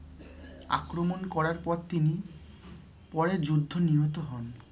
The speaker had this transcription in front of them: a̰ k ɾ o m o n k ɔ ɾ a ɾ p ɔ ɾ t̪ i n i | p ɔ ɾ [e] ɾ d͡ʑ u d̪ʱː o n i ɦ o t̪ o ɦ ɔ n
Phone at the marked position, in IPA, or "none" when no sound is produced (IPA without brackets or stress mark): e